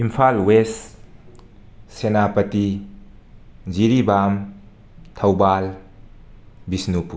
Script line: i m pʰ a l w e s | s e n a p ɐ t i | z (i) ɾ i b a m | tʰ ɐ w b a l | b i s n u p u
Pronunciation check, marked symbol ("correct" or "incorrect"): correct